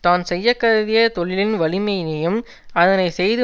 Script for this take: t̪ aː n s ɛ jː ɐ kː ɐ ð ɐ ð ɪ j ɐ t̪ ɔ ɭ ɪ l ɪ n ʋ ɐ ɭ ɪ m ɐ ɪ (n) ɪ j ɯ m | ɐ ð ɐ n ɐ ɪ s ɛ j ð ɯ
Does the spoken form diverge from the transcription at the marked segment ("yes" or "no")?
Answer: no